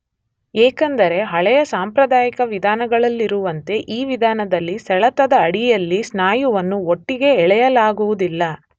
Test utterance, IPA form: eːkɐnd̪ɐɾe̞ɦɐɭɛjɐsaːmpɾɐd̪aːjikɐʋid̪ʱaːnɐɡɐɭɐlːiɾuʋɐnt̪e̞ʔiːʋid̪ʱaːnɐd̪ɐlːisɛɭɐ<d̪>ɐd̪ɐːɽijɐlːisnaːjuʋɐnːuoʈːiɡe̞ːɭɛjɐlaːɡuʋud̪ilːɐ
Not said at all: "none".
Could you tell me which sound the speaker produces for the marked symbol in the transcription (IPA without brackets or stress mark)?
t̪